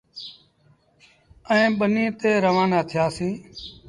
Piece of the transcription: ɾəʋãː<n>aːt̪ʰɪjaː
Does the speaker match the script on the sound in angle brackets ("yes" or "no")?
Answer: yes